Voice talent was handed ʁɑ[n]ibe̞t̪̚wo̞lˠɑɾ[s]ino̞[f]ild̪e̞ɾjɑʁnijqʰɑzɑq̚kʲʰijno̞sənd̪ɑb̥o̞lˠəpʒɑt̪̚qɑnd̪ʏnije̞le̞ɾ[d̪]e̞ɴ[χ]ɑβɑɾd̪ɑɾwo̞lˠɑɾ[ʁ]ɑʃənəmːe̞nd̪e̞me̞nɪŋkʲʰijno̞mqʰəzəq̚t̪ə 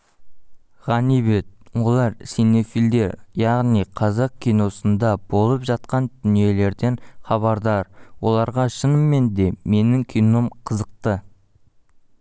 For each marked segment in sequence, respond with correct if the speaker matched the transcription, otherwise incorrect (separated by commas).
correct, correct, correct, correct, correct, correct